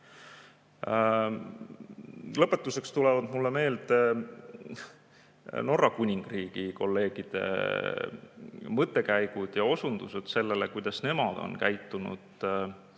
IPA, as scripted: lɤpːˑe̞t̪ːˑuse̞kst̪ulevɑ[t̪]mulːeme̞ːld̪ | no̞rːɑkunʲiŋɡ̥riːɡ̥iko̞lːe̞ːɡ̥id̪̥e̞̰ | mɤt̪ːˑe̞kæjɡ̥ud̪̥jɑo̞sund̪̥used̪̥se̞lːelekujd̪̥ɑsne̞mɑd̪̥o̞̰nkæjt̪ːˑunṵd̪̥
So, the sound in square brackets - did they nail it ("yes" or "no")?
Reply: no